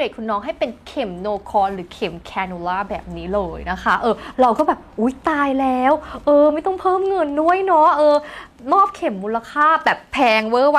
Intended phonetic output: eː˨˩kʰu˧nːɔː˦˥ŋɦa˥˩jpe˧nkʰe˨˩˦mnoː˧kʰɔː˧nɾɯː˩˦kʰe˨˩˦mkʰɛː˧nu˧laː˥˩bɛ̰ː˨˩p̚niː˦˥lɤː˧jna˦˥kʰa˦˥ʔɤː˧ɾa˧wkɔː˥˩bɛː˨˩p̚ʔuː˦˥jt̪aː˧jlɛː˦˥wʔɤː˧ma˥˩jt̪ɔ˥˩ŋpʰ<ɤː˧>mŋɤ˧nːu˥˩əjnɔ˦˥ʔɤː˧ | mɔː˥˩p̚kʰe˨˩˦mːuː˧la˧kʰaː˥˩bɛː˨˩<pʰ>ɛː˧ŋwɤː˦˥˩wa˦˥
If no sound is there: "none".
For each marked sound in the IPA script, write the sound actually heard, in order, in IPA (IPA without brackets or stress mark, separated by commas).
ɤː˥˩, pʰ